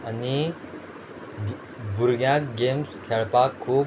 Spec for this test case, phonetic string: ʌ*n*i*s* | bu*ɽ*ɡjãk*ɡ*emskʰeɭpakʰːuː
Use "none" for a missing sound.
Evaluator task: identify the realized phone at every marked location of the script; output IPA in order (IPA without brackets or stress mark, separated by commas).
n, none, ɾ, ɡ